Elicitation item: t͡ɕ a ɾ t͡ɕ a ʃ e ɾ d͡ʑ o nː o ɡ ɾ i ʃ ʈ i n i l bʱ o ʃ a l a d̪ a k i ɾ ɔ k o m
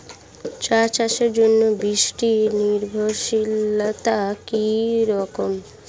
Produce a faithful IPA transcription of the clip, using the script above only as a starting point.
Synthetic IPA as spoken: t͡ɕ a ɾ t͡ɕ a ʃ e ɾ d͡ʑ o nː o b ɾ i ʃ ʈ i n i ɾ bʱ o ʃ i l a t̪ a k i ɾ ɔ k o m